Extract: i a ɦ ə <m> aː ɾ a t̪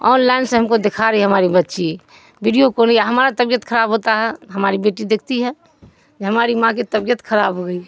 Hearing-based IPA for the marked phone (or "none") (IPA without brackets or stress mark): m